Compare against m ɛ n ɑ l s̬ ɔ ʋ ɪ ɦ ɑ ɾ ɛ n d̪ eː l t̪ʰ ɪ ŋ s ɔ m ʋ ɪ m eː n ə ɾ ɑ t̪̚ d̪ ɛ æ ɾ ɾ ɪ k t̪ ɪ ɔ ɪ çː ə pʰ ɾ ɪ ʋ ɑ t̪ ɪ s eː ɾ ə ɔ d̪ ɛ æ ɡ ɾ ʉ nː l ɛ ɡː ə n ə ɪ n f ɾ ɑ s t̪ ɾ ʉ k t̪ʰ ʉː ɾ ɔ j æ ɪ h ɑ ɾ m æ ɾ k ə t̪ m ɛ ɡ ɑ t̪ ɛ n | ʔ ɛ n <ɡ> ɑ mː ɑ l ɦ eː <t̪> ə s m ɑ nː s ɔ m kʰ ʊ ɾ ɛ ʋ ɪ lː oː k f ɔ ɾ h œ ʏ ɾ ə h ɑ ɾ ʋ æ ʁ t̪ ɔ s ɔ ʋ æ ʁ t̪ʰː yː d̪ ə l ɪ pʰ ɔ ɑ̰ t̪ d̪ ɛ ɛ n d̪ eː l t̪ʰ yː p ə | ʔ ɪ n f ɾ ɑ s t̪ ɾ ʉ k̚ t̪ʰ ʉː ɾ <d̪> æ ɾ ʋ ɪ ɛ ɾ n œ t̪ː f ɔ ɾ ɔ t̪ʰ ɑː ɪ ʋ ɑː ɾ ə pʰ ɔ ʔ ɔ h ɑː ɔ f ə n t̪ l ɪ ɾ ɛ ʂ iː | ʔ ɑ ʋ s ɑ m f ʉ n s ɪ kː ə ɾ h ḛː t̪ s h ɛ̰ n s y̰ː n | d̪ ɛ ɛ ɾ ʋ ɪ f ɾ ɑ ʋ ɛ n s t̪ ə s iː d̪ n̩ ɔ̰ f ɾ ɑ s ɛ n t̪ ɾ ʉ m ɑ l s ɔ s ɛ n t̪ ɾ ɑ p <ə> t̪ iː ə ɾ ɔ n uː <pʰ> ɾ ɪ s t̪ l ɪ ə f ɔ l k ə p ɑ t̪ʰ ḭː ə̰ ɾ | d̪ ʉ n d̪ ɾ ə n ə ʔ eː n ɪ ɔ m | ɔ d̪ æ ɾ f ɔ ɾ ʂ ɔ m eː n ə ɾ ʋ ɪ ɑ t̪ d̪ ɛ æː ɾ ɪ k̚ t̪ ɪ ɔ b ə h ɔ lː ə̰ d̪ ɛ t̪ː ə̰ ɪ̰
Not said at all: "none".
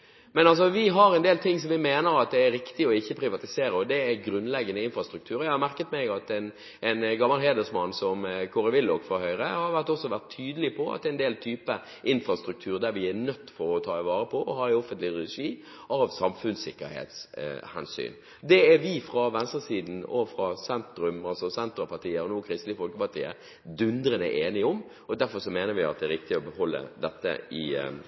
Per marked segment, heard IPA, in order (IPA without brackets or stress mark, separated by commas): ɡ, d̪, d̪, ɑ, kʰ